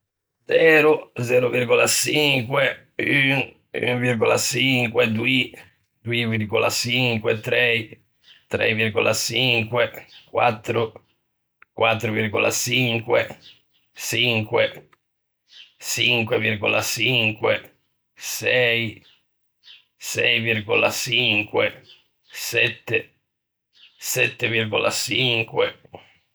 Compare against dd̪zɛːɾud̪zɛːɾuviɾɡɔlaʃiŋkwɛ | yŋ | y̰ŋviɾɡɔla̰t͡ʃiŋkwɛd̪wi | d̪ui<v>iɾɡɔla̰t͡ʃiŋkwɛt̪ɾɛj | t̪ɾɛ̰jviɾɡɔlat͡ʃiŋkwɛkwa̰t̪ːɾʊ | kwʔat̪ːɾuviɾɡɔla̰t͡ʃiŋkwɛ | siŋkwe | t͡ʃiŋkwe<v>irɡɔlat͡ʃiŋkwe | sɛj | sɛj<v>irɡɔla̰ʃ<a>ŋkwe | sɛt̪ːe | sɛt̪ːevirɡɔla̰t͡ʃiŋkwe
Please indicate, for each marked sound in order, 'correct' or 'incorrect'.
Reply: correct, correct, correct, incorrect

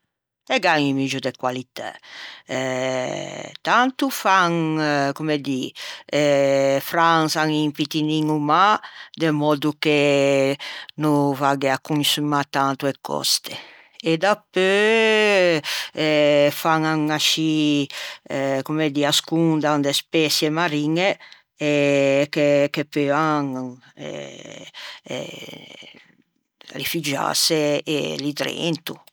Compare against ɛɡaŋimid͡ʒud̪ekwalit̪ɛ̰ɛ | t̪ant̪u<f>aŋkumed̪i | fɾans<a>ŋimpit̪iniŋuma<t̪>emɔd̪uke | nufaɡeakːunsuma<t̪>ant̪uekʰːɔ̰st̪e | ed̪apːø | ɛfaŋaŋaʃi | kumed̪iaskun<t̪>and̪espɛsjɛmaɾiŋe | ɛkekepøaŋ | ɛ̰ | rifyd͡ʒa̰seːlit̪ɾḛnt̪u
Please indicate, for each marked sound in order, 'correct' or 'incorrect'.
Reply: correct, correct, incorrect, correct, incorrect

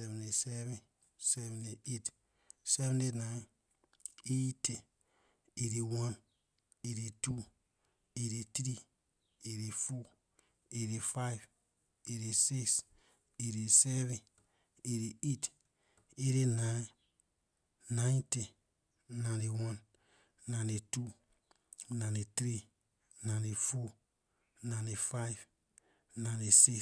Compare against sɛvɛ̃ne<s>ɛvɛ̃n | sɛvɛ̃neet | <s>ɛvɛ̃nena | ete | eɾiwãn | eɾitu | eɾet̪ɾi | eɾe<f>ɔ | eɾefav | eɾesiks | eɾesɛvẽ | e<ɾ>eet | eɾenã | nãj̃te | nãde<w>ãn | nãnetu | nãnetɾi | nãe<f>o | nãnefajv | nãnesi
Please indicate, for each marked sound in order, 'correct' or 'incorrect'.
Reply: correct, correct, correct, correct, correct, correct

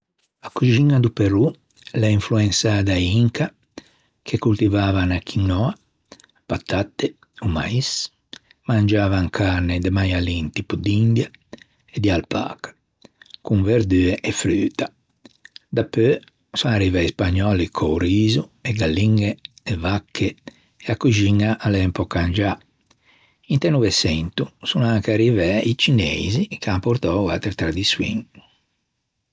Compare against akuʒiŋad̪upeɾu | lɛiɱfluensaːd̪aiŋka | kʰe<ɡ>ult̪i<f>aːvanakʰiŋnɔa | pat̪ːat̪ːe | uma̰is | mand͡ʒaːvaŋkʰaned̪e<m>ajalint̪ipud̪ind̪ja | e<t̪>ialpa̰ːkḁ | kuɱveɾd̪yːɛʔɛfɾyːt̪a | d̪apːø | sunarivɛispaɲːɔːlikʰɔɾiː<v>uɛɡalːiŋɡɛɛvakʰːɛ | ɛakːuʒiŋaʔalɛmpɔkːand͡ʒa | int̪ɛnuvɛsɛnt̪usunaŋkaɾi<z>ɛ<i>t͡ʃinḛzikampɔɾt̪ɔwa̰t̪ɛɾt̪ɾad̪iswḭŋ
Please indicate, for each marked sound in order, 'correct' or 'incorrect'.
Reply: incorrect, incorrect, correct, incorrect, incorrect, incorrect, correct

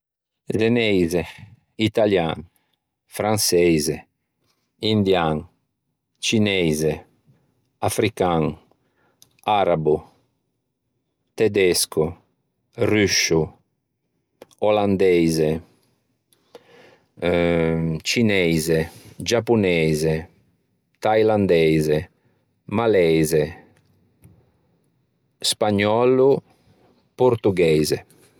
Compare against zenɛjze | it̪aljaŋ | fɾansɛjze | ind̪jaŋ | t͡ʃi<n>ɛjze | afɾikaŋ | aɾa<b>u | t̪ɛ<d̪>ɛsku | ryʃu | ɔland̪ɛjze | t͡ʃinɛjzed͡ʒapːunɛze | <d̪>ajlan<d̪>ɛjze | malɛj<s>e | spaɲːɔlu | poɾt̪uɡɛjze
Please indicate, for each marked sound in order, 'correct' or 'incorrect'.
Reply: correct, correct, correct, incorrect, correct, incorrect

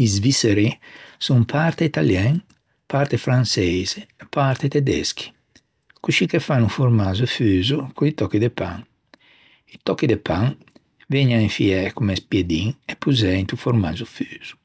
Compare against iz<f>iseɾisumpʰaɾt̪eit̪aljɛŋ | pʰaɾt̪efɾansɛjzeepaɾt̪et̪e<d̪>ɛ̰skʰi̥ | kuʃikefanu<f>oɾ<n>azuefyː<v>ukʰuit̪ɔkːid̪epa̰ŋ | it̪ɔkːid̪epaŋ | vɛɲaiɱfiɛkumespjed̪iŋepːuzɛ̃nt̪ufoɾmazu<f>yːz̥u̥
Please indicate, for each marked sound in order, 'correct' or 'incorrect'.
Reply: incorrect, correct, correct, incorrect, incorrect, correct

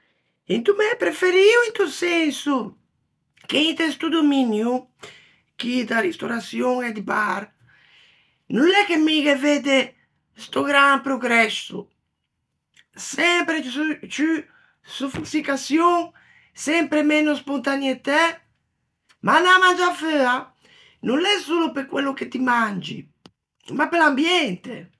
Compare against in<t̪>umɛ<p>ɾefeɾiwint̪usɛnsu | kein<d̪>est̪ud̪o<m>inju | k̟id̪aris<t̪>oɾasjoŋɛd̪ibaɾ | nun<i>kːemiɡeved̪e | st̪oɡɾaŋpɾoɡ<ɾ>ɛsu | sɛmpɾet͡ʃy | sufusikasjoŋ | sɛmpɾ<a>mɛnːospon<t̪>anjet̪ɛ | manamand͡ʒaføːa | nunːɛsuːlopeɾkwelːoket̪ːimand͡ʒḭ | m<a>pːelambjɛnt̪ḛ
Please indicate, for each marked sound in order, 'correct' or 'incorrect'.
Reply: correct, correct, incorrect, correct, correct, incorrect, correct, incorrect, correct, correct

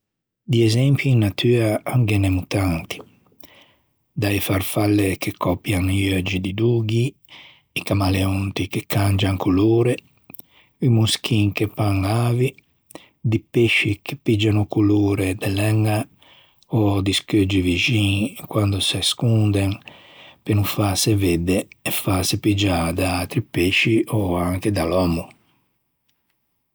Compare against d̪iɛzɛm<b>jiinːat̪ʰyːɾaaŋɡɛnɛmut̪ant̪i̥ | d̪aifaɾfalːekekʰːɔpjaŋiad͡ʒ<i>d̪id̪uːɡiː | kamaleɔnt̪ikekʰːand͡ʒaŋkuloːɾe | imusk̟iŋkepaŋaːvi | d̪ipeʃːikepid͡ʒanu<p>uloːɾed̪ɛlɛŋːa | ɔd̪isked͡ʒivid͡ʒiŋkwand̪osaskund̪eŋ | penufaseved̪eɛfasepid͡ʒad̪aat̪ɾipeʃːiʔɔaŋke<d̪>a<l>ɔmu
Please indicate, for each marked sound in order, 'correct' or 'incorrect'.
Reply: incorrect, correct, incorrect, correct, correct

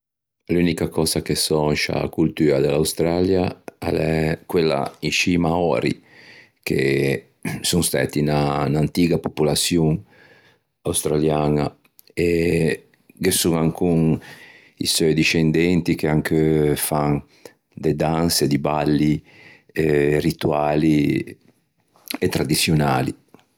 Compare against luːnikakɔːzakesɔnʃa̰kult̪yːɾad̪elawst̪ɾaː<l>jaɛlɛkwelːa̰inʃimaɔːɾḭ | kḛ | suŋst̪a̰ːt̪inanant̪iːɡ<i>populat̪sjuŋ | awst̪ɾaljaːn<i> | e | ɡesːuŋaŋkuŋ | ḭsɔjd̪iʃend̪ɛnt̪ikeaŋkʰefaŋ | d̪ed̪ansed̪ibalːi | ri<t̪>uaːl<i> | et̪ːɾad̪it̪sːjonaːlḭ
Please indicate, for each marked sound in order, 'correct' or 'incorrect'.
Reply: correct, incorrect, incorrect, correct, correct

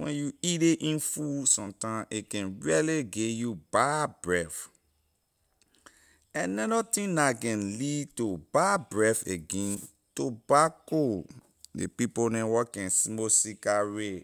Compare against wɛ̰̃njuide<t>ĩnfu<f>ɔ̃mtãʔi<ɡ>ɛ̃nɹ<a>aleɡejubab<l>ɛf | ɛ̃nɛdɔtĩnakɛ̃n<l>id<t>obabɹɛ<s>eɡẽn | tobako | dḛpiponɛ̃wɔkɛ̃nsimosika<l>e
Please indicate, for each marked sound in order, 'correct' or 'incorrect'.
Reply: incorrect, incorrect, incorrect, incorrect, incorrect, correct, correct, incorrect, incorrect

